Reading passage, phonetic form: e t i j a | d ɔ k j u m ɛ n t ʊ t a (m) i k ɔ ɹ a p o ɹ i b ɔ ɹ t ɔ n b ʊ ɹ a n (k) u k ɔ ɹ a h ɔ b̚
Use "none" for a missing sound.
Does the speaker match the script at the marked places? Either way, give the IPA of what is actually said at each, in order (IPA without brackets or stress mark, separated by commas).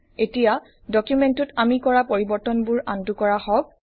m, t